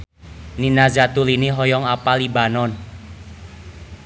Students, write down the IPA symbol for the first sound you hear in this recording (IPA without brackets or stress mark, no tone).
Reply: n